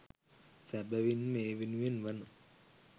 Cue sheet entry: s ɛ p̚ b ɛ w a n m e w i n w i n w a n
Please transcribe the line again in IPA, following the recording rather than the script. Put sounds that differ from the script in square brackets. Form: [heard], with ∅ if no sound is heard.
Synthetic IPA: s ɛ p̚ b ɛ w [i] n m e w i n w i n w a n